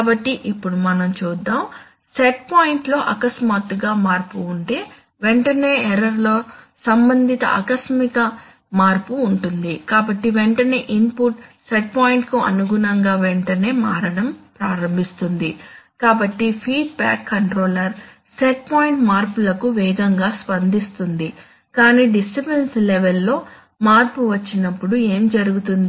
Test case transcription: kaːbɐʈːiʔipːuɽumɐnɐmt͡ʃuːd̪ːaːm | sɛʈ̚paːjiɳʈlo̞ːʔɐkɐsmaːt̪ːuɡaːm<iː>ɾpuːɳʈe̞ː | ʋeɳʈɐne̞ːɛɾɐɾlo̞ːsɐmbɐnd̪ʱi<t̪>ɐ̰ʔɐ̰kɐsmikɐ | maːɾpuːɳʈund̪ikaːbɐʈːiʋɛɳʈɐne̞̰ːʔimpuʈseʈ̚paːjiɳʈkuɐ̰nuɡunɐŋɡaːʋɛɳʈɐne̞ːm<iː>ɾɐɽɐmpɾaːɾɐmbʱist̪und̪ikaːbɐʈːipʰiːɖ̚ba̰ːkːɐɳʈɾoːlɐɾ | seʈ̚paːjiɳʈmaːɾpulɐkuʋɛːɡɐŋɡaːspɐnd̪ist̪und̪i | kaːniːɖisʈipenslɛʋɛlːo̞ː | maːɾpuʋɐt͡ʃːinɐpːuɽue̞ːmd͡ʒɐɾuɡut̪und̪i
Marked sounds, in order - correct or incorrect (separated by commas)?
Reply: incorrect, correct, incorrect